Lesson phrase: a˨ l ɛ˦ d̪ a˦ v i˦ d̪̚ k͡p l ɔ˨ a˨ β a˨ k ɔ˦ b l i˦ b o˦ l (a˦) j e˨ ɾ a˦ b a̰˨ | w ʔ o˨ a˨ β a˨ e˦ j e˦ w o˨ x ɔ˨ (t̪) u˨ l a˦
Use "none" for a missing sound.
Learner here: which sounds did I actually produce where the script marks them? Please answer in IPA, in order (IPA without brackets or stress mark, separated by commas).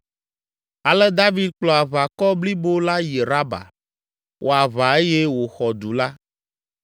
a˦, d̪